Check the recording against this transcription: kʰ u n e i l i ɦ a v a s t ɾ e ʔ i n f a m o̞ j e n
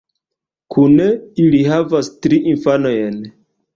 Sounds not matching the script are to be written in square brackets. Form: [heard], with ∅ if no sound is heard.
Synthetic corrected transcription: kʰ u n e i l i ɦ a v a s t ɾ [i] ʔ i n f a [n] o̞ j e n